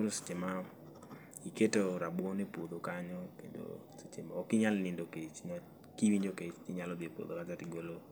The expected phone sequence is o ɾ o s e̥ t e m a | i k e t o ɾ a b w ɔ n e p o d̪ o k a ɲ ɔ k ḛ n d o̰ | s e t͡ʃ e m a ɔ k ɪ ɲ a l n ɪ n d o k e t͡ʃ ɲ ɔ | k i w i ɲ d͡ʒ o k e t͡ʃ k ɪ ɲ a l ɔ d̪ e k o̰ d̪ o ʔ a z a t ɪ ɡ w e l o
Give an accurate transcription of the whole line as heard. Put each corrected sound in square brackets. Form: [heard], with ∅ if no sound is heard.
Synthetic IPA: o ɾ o s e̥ [t͡ʃ] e m a | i k e t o ɾ a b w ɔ n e p o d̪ o k a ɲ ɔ k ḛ n d o̰ | s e t͡ʃ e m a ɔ k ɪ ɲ a l n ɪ n d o k e t͡ʃ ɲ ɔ | k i w i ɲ d͡ʒ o k e t͡ʃ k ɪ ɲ a l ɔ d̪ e [p] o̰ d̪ o [k] a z a t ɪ ɡ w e l o